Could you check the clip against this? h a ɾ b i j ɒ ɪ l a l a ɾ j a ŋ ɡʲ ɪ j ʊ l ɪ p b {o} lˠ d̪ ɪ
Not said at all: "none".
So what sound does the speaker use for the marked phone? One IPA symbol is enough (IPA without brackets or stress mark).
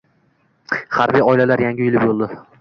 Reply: o